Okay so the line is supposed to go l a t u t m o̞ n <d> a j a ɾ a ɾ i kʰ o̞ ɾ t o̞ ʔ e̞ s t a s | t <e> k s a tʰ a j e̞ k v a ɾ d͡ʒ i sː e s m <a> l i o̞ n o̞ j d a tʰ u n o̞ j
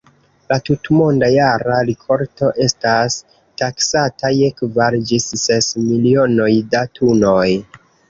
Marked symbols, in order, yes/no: yes, no, no

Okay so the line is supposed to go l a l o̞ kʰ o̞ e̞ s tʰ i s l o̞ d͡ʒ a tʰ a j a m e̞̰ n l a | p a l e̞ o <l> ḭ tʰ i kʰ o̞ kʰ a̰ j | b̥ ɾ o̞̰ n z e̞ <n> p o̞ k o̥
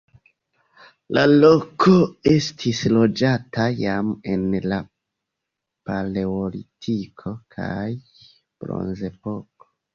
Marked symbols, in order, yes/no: yes, no

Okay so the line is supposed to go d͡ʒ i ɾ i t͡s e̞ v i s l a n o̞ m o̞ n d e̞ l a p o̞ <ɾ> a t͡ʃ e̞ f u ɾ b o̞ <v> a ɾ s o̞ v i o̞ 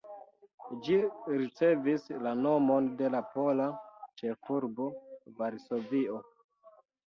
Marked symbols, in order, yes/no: no, yes

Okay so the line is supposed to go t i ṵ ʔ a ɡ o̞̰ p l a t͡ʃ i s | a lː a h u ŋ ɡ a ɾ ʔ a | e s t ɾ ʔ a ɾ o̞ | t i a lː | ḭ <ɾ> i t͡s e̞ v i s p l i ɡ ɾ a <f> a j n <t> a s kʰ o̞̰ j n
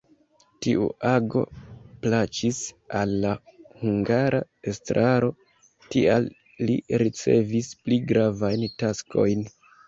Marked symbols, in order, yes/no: yes, no, yes

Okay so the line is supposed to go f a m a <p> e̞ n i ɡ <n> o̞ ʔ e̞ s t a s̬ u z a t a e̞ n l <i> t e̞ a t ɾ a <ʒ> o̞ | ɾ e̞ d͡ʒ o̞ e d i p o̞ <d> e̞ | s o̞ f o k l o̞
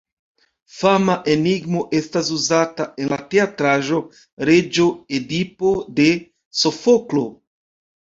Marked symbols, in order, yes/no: no, no, no, yes, yes

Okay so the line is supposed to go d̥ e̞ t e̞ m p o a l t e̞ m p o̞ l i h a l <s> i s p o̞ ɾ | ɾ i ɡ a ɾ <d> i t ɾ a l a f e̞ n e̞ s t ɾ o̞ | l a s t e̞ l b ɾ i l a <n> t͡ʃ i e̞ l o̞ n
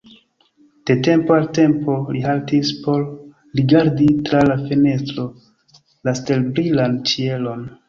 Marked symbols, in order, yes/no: no, yes, yes

